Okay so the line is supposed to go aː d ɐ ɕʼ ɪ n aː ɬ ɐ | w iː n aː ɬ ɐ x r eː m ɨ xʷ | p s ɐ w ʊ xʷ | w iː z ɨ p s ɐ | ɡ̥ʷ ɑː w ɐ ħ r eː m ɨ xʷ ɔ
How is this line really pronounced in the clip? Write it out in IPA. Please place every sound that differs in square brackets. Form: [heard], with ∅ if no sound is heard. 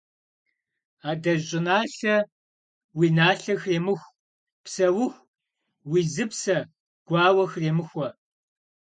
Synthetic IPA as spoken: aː d ɐ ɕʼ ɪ n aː ɬ ɐ | w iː n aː ɬ ɐ x r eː m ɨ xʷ | p s ɐ w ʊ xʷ | w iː z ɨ p s ɐ | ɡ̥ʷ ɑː w ɐ [x] r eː m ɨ xʷ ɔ